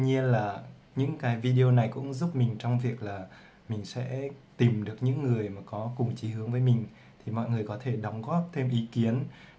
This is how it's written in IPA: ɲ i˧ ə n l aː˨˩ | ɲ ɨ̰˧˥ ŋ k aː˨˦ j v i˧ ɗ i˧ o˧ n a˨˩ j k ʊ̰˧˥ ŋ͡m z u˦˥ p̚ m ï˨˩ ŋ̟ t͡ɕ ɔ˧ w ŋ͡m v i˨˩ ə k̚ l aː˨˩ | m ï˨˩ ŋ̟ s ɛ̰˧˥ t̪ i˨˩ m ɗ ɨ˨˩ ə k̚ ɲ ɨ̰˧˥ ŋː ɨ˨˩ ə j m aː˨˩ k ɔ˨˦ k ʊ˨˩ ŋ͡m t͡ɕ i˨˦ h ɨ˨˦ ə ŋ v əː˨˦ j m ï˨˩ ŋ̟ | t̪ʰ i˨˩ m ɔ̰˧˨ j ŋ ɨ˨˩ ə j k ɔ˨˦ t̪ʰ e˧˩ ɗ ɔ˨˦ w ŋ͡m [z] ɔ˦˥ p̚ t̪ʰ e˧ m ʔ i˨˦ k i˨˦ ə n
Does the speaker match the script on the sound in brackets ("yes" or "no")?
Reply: no